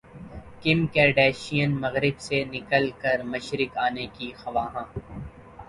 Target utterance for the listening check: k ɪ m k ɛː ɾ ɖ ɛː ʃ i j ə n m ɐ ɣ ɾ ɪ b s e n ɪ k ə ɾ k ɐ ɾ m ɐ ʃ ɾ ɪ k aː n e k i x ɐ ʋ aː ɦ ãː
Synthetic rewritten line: k ɪ m k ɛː ɾ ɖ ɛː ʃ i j ə n m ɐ ɣ ɾ ɪ b s e n ɪ k ə l k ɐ ɾ m ɐ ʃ ɾ ɪ k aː n e k i x ɐ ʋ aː ɦ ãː